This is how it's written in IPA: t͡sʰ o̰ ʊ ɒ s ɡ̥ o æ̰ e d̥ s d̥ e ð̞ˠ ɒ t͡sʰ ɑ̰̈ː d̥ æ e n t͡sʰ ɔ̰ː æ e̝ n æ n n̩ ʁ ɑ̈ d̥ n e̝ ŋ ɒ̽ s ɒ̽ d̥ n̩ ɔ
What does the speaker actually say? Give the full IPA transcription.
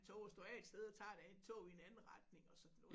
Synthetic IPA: t͡sʰ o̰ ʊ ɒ s d̥ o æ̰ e d̥ s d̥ e ð̞ˠ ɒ t͡sʰ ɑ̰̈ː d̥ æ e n t͡sʰ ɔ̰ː i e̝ n æ n n̩ ʁ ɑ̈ d̥ n e̝ ŋ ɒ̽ s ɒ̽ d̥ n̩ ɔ